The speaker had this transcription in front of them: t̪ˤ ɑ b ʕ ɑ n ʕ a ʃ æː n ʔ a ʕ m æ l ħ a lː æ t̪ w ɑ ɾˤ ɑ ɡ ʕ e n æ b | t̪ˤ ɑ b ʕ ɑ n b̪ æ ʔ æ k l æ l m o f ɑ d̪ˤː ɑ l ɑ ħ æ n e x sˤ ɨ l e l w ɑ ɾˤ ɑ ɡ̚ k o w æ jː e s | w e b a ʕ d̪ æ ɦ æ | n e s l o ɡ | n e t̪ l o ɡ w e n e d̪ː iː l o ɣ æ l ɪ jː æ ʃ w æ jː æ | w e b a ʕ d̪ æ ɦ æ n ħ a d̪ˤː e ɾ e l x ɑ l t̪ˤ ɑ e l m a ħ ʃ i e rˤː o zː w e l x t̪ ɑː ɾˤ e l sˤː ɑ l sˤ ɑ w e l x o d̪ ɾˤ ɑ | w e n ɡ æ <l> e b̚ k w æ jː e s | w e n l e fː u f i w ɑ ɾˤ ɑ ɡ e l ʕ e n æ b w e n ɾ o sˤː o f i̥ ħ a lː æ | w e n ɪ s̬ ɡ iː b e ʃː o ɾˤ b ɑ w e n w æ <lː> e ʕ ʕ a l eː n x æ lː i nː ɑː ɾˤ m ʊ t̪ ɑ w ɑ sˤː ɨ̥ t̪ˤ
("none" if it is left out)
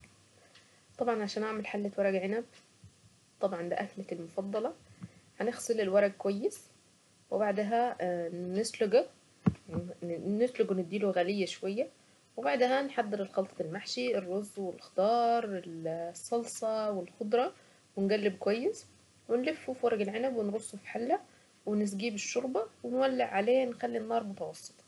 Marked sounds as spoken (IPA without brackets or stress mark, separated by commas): lː, lː